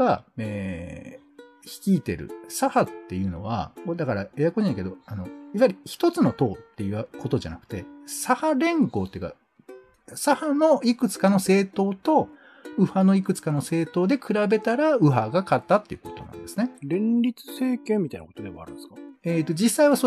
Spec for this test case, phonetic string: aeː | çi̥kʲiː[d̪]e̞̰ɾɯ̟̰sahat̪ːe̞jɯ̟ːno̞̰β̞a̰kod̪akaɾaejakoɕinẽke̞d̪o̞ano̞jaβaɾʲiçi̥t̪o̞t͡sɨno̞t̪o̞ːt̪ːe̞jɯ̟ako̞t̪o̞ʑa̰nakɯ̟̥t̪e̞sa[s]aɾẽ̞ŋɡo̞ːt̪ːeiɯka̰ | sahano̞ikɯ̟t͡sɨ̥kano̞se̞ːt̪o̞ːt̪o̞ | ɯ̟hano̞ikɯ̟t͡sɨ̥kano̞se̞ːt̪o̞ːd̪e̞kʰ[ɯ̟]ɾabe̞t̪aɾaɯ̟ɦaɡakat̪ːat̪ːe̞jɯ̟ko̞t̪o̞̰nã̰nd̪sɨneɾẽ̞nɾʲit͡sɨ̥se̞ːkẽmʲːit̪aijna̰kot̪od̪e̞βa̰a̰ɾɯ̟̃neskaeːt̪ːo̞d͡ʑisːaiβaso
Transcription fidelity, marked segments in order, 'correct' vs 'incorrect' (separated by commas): incorrect, incorrect, correct